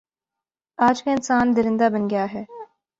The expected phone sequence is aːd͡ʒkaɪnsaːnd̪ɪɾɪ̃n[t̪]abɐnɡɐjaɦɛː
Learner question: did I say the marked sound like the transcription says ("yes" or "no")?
no